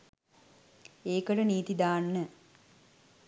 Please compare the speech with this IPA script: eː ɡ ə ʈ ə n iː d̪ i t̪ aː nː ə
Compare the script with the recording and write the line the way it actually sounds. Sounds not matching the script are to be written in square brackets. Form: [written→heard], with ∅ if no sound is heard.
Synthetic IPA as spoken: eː [ɡ→k] ə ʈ ə n iː [d̪→t̪] i [t̪→d̪] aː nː ə